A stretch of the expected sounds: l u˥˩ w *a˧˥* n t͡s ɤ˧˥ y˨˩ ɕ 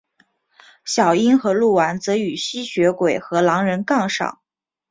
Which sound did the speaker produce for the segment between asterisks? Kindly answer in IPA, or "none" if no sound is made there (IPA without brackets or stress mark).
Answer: a˧˥